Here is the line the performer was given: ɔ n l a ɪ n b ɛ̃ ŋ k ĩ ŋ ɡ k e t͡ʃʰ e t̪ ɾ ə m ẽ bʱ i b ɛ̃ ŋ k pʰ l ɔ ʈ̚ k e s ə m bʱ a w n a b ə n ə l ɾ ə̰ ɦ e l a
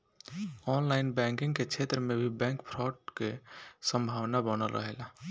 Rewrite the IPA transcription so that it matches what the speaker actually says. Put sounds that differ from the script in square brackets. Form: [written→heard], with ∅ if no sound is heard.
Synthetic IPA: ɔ n l a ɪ n b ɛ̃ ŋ k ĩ ŋ ɡ k e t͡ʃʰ e t̪ ɾ ə m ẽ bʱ i b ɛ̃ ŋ k pʰ [l→ɾ] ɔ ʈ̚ k e s ə m bʱ a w n a b ə n ə l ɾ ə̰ ɦ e l a